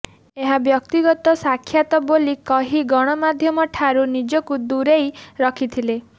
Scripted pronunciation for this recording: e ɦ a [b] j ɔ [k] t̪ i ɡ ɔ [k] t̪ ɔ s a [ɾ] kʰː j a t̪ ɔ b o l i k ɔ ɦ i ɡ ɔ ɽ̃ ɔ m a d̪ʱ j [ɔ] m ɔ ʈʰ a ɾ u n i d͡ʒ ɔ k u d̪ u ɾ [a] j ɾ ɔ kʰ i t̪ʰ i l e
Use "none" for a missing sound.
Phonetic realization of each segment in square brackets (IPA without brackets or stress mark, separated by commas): b, k, none, none, ɔ, e